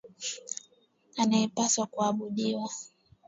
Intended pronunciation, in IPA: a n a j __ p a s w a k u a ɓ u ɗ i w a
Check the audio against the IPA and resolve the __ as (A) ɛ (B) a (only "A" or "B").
A